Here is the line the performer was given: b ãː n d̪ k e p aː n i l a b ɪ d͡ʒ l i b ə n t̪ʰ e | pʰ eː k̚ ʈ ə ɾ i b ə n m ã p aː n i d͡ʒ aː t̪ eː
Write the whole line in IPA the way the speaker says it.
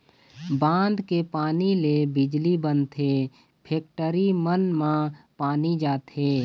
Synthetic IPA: b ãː n d̪ k e p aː n i l e b ɪ d͡ʒ l i b ə n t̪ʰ e | pʰ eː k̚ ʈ ə ɾ i m ə n m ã p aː n i d͡ʒ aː t̪ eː